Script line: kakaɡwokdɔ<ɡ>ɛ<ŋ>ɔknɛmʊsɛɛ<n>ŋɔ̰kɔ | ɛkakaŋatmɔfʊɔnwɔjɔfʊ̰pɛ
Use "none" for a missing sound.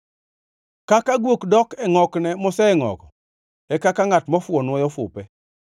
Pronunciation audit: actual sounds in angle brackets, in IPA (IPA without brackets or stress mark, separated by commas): k, ŋ, none